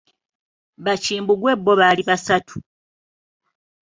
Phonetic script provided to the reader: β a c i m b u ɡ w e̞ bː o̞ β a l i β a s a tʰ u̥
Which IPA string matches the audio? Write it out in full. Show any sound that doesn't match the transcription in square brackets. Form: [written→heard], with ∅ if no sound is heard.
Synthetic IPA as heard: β a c [i→iː] m b u ɡ w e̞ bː o̞ β a l i β a s a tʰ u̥